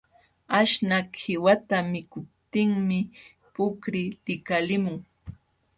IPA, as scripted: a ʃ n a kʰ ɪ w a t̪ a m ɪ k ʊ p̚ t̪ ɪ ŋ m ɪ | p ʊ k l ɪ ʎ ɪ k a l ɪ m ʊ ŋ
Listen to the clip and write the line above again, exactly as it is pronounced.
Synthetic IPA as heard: a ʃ n a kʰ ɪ w a t̪ a m ɪ k ʊ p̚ t̪ ɪ ŋ m ɪ | p ʊ k ɾ ɪ l ɪ k a l ɪ m ʊ ŋ